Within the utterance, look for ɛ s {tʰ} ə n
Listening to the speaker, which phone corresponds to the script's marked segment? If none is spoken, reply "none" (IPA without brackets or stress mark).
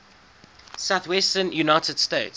t